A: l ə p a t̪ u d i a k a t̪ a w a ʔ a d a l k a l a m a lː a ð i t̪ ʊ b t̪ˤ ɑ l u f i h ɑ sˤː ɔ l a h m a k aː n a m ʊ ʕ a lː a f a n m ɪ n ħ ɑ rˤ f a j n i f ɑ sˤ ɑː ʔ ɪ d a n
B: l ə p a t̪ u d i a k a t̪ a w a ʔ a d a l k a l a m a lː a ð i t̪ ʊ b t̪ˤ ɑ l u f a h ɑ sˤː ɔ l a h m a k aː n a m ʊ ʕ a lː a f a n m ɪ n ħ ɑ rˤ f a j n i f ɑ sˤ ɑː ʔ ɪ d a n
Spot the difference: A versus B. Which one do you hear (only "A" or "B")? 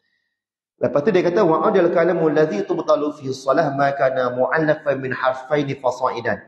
A